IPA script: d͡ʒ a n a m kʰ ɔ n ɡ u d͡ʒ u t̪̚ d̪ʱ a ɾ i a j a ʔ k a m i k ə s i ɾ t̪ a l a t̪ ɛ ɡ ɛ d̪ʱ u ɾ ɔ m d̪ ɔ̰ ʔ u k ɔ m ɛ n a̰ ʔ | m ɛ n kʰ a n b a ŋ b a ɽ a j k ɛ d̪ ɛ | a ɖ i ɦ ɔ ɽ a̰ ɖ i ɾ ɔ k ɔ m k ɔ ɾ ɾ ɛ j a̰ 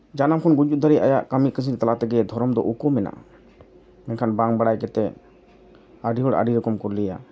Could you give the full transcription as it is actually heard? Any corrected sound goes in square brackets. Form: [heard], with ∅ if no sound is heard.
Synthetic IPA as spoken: d͡ʒ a n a m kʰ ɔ n ɡ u d͡ʒ u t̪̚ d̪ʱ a ɾ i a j a ʔ k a m i k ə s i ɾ t̪ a l a t̪ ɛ ɡ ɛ d̪ʱ [ɔ] ɾ ɔ m d̪ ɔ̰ ʔ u k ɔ m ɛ n a̰ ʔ | m ɛ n kʰ a n b a ŋ b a ɽ a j k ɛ [t̪] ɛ | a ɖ i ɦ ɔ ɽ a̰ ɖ i ɾ ɔ k ɔ m k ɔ ɾ [l] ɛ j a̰